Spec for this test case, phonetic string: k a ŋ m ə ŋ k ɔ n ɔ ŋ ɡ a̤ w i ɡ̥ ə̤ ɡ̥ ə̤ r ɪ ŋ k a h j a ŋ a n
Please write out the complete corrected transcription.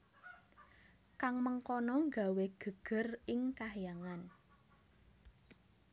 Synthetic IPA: k a ŋ m ə ŋ k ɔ n ɔ ŋ ɡ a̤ w e ɡ̥ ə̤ ɡ̥ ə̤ r ɪ ŋ k a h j a ŋ a n